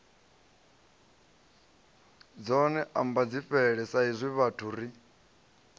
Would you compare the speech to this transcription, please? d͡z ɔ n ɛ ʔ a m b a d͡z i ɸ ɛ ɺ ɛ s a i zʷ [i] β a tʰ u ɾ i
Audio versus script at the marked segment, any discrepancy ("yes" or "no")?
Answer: no